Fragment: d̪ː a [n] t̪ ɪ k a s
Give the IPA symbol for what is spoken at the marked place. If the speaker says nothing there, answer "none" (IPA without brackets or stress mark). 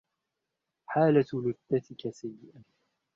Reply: none